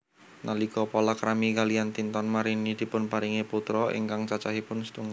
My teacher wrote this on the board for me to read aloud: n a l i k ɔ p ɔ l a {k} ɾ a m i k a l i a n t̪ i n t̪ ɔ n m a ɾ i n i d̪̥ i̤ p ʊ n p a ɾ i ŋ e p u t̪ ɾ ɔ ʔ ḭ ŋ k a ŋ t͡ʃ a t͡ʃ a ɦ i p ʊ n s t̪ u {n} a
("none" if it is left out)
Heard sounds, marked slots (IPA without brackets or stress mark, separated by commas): k, ŋ